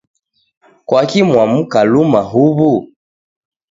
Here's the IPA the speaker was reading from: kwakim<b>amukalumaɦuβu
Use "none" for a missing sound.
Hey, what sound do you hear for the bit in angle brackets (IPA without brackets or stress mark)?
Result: w